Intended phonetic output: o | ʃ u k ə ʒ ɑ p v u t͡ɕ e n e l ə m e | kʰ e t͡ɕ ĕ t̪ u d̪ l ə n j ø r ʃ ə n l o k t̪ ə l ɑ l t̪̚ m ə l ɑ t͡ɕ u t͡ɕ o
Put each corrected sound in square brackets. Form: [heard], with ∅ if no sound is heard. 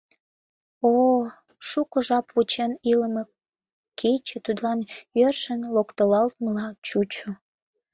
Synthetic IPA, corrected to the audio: o | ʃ u k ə ʒ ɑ p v u t͡ɕ e n [i] l ə m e | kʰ e t͡ɕ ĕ t̪ u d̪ l [ɑ] n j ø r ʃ ə n l o k t̪ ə l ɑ l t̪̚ m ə l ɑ t͡ɕ u t͡ɕ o